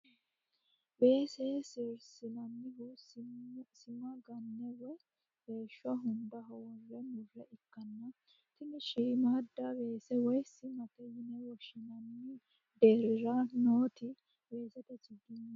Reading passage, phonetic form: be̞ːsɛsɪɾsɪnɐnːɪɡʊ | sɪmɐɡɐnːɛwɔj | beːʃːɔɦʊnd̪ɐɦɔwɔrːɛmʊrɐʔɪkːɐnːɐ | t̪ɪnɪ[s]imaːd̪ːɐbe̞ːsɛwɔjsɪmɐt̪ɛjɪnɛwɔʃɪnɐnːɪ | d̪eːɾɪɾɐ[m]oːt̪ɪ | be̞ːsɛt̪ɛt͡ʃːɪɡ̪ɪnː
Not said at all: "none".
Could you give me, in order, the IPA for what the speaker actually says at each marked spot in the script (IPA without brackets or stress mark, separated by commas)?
ʃ, n